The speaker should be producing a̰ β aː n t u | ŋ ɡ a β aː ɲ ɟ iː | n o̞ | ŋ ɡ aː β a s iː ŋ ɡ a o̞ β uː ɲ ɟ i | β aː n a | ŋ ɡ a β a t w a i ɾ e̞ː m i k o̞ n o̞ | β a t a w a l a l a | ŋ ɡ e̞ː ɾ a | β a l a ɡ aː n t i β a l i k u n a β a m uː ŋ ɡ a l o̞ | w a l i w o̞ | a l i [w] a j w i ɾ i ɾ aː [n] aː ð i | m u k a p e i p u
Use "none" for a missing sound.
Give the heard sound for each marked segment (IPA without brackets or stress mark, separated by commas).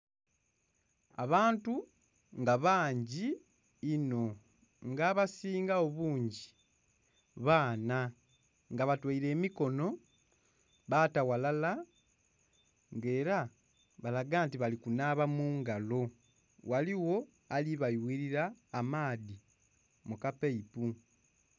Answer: β, m